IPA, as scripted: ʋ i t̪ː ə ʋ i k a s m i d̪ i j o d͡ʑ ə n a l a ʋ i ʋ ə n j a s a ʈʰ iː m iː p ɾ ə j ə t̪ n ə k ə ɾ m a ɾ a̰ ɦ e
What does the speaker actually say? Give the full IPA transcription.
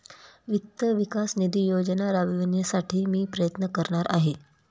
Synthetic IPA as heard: ʋ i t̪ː ə ʋ i k a s n i d̪ i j o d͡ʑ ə n a ɾ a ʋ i ʋ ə n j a s a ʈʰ iː m iː p ɾ ə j ə t̪ n ə k ə ɾ ɳ a ɾ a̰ ɦ e